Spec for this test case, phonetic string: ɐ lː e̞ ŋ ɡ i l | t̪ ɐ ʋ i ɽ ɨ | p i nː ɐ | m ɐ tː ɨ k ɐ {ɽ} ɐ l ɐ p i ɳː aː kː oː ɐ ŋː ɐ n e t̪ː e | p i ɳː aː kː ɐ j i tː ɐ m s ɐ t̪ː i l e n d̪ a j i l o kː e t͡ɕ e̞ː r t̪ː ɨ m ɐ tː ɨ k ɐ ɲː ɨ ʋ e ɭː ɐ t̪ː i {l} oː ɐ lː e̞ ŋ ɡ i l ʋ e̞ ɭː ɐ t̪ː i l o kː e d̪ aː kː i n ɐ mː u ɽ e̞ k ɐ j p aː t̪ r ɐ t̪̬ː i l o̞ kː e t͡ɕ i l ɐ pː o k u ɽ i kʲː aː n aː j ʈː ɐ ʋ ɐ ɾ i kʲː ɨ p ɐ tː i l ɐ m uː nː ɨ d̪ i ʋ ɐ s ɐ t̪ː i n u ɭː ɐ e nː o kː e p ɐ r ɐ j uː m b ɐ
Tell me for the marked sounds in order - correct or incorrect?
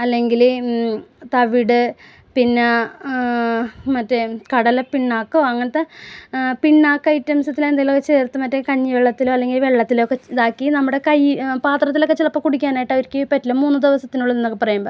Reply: correct, correct

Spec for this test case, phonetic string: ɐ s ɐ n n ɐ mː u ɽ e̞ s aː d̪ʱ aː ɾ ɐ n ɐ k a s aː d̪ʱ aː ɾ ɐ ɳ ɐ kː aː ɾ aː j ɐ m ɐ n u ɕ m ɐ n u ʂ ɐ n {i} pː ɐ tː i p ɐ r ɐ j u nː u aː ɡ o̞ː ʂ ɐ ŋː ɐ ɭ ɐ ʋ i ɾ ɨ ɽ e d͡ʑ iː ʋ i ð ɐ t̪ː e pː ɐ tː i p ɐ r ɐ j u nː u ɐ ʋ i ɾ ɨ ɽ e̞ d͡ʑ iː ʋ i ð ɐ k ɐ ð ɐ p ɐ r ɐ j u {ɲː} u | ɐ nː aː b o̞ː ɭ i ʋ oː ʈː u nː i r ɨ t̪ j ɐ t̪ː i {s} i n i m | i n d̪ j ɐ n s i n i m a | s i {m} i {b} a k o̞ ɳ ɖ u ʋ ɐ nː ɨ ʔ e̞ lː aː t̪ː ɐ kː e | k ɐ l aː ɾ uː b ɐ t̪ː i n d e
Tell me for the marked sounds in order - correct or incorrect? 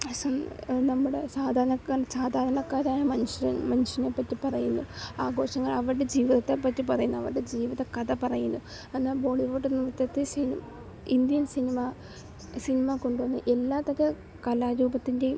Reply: incorrect: e, incorrect: nː, correct, incorrect: n, incorrect: m

